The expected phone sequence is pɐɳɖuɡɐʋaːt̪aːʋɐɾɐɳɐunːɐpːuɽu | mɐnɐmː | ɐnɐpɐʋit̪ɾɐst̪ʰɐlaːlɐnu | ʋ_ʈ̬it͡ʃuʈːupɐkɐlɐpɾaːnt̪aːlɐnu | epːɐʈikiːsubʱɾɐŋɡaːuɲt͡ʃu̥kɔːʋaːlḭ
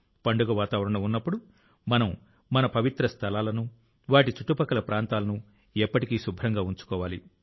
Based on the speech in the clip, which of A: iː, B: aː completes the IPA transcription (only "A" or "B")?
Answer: B